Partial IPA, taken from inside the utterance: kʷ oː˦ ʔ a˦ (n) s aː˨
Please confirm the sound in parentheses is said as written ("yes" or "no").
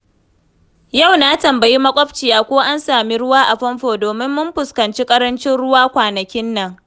yes